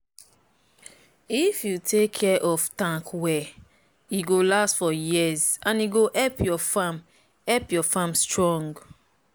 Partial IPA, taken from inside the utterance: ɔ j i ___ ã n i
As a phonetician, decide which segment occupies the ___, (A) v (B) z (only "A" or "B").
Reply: B